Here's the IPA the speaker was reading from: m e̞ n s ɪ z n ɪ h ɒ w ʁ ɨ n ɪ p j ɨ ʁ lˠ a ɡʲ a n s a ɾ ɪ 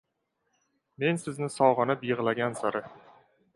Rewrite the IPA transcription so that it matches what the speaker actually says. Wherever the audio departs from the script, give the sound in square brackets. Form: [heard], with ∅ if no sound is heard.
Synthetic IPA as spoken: m e̞ n s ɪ z n ɪ [s] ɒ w ʁ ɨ n ɪ p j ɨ ʁ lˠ a ɡʲ a n s a ɾ ɪ